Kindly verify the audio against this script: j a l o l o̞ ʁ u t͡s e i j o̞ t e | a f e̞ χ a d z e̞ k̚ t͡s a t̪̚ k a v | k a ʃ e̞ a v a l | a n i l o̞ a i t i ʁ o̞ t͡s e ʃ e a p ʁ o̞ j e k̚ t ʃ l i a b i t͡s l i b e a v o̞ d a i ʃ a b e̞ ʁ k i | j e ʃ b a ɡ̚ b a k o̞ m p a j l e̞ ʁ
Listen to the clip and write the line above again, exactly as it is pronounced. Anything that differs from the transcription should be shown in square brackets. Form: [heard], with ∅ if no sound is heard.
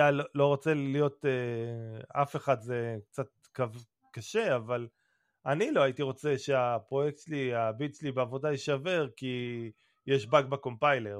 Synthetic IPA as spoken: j a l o l o̞ ʁ [o] t͡s e i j o̞ t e | a f e̞ χ a d z e̞ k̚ t͡s a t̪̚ k a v | k a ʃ e̞ a v a l | a n i l o̞ a i t i ʁ o̞ t͡s e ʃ e a p ʁ o̞ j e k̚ t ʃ l i a b i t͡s l i b e a v o̞ d a i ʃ a [v] e̞ ʁ k i | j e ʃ b a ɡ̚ b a k o̞ m p a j l e̞ ʁ